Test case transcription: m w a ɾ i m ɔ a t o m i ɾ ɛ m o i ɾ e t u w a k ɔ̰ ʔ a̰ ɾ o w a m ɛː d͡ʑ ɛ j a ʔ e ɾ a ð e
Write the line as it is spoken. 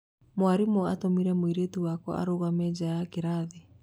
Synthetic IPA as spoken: m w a ɾ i m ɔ a t o m i ɾ ɛ m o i ɾ e t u w a k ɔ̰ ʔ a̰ ɾ o ɣ a m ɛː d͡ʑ a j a k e ɾ a ð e